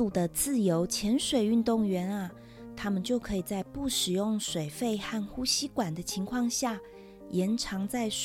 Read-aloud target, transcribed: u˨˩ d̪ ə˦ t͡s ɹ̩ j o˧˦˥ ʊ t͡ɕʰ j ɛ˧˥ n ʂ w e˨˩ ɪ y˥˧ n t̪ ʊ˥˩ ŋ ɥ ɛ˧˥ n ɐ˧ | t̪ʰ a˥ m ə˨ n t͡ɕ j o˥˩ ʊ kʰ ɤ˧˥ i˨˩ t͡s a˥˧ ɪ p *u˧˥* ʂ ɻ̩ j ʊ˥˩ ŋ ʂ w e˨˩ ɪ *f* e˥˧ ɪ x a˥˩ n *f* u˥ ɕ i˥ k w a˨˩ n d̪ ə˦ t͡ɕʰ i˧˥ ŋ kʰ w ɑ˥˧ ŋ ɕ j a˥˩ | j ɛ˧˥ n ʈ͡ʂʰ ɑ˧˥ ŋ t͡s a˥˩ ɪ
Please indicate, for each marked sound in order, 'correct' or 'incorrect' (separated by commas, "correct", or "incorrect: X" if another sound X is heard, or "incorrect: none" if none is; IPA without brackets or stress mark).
incorrect: u˥˩, correct, incorrect: x